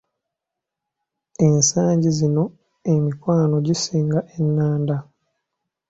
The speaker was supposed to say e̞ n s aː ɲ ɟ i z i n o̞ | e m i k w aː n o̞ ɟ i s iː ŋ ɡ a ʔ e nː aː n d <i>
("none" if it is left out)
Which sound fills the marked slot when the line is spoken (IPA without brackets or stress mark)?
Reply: a